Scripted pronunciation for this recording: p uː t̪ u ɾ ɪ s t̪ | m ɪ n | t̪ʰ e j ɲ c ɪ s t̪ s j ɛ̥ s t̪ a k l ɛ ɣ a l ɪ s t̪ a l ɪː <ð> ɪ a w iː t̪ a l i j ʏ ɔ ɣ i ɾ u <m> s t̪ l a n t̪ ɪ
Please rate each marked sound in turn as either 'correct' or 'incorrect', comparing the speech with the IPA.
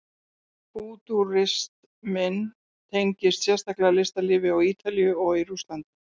incorrect: v, incorrect: none

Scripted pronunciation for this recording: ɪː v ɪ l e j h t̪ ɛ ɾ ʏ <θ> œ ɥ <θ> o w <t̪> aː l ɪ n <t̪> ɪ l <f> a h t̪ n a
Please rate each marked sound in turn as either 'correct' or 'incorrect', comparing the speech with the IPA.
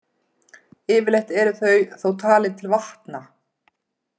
correct, correct, incorrect: t̪ʰ, incorrect: t̪ʰ, incorrect: v

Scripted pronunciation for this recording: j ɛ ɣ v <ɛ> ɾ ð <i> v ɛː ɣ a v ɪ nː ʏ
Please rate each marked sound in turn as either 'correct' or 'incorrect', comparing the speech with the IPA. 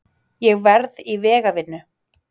correct, correct

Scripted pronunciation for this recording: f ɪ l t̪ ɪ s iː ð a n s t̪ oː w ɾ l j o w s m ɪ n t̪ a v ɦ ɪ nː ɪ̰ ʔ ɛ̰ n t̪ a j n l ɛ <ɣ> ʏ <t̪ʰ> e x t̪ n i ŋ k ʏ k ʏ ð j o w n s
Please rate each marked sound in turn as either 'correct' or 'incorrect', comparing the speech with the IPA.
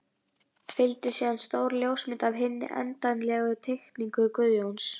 correct, correct

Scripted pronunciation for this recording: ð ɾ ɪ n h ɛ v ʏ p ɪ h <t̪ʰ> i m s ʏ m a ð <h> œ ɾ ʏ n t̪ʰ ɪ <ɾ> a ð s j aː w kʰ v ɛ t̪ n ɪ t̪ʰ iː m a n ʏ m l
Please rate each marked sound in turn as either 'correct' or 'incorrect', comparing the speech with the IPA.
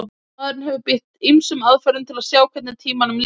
incorrect: t̪, incorrect: f, incorrect: l

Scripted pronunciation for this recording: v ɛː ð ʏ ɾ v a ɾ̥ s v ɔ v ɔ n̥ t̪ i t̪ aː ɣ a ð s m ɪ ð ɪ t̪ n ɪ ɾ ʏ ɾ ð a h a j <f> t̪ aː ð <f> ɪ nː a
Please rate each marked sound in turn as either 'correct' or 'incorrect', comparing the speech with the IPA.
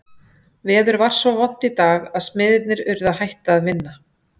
incorrect: h, incorrect: v

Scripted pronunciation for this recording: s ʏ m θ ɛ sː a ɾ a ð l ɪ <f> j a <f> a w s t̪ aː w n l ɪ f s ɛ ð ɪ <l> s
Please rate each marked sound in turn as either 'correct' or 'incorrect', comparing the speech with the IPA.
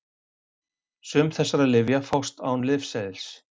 incorrect: v, correct, correct

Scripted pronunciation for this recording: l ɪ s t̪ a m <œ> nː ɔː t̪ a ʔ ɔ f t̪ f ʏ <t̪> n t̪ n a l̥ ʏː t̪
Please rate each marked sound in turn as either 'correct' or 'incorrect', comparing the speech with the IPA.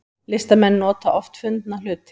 incorrect: ɛ, incorrect: none

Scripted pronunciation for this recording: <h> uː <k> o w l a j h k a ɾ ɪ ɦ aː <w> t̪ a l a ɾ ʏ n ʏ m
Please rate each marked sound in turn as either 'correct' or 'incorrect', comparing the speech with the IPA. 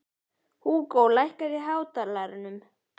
correct, correct, correct

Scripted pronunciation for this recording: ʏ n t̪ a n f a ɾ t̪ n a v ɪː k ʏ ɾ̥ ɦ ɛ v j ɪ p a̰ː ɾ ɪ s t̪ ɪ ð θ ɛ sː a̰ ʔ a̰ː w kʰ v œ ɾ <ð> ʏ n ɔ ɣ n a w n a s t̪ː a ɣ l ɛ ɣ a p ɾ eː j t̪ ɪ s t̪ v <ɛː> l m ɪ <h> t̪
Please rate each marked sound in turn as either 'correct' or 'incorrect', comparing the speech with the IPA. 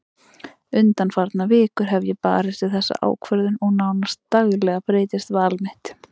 correct, incorrect: aː, correct

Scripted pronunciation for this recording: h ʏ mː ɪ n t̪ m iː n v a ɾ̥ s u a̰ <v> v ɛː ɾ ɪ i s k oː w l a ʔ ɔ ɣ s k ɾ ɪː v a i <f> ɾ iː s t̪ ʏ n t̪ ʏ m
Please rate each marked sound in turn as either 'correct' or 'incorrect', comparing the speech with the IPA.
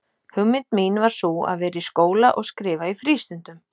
incorrect: ð, correct

